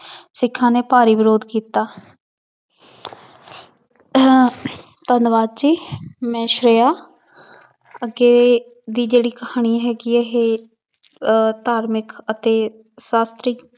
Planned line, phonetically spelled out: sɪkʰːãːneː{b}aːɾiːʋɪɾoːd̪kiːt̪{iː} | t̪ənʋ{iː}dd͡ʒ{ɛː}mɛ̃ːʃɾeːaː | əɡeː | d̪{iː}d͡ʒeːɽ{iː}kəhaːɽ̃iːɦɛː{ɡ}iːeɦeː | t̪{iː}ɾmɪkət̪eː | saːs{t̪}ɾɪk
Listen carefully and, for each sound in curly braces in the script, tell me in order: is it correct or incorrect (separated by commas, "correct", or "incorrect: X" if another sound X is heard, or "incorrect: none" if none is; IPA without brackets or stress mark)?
incorrect: p, incorrect: aː, incorrect: aː, incorrect: iː, correct, correct, correct, incorrect: aː, correct